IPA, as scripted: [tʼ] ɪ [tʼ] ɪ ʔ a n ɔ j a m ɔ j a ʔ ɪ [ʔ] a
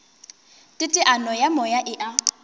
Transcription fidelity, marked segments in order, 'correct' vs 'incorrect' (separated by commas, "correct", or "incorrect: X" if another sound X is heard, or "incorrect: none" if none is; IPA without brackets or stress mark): correct, correct, correct